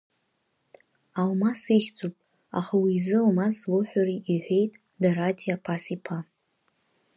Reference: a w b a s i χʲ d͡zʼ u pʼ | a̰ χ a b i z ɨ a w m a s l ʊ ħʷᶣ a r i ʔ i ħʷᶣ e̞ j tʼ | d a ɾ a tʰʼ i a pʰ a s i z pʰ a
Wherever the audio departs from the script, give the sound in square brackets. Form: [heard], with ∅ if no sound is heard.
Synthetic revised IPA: a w [m] a s i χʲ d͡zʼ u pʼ | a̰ χ a [w] i z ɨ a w m a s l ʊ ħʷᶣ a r i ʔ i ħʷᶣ e̞ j tʼ | d a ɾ a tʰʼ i a pʰ a s i [∅] pʰ a